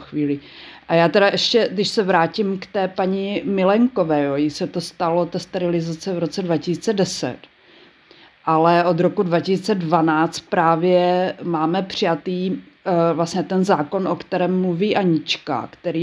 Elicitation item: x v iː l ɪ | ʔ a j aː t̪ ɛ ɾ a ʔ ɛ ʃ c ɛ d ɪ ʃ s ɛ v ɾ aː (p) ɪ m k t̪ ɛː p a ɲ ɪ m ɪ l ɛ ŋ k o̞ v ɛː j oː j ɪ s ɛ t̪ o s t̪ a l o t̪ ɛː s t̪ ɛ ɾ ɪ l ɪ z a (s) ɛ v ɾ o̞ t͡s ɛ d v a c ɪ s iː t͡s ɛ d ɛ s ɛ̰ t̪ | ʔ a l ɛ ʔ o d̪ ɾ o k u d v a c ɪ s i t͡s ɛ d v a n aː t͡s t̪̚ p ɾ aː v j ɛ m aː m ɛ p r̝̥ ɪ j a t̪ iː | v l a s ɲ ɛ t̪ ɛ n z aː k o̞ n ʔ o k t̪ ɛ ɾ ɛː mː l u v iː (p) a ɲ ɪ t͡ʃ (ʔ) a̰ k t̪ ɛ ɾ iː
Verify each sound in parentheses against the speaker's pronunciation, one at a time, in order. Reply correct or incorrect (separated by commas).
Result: incorrect, incorrect, incorrect, incorrect